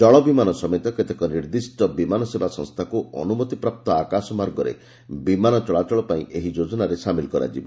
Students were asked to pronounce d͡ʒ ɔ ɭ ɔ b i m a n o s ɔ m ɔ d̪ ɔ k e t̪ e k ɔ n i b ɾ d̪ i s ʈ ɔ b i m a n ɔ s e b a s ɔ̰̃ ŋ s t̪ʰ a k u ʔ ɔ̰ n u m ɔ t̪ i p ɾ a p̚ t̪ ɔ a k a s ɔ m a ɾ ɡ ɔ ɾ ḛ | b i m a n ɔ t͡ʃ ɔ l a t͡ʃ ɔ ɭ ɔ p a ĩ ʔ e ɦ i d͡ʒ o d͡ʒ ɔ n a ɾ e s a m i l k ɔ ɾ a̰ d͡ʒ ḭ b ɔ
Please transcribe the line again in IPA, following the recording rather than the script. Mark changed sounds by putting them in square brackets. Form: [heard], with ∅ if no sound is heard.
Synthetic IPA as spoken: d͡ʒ ɔ ɭ ɔ b i m a n [ɔ] s ɔ m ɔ [t̪] ɔ k e t̪ e k ɔ n i [∅] ɾ d̪ i s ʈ ɔ b i m a n ɔ s e b a s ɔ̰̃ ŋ s t̪ʰ a k u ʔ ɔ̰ n u m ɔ t̪ i p ɾ a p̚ t̪ ɔ a k a s ɔ m a ɾ ɡ ɔ ɾ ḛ | b i m a n ɔ t͡ʃ ɔ [ɭ] a t͡ʃ ɔ ɭ ɔ p a ĩ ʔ e ɦ i d͡ʒ o d͡ʒ ɔ n a ɾ e s a m i l k ɔ ɾ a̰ d͡ʒ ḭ b ɔ